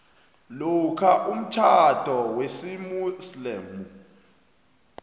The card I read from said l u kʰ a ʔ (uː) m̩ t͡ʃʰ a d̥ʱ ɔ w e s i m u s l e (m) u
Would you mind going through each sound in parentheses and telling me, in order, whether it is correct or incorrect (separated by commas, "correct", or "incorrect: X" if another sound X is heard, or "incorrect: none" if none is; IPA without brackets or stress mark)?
incorrect: u, correct